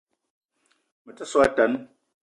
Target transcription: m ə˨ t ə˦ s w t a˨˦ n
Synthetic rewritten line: m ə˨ t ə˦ s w t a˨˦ n